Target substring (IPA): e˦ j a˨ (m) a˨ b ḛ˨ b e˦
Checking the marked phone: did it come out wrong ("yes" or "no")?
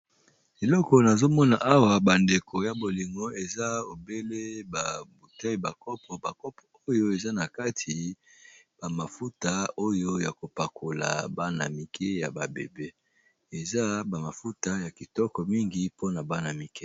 yes